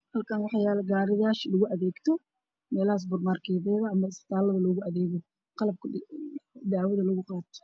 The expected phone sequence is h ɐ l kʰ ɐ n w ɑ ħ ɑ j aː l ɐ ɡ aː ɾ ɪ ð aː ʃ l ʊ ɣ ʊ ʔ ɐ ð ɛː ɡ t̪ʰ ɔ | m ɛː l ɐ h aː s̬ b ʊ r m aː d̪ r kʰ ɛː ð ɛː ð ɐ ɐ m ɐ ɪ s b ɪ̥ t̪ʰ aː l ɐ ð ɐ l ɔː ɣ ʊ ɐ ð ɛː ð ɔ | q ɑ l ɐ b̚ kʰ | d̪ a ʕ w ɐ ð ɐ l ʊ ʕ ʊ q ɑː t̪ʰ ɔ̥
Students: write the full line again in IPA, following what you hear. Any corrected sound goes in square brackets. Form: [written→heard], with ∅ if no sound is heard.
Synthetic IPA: h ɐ l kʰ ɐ n w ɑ ħ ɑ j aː l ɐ ɡ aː ɾ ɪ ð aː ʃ l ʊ ɣ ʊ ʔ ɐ ð ɛː ɡ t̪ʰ ɔ | m ɛː l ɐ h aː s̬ b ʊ r m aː [d̪→∅] r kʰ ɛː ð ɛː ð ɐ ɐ m ɐ ɪ s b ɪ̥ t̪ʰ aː l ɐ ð ɐ l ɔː ɣ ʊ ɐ ð ɛː [ð→ɣ] ɔ | q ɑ l ɐ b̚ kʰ | d̪ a ʕ w ɐ ð ɐ l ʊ [ʕ→ɣ] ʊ q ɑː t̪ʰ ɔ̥